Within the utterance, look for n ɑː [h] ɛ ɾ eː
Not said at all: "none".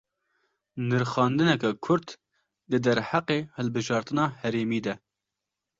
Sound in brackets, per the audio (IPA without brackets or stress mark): h